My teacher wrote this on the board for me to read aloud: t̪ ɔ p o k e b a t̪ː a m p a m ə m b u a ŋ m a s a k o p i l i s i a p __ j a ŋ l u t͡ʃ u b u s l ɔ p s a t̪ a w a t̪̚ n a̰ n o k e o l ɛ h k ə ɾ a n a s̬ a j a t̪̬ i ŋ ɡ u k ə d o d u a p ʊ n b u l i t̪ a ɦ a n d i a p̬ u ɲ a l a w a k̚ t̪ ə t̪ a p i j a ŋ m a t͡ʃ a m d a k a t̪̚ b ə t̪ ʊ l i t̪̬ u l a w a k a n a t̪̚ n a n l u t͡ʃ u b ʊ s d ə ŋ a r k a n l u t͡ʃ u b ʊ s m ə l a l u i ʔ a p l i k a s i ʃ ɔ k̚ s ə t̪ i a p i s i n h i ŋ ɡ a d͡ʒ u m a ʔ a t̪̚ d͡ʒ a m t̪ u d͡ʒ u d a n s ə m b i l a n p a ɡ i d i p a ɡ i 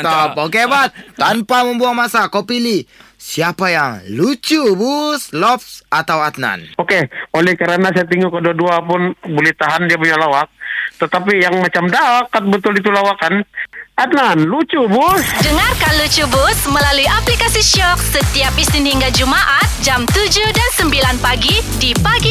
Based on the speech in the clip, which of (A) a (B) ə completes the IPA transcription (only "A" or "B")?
A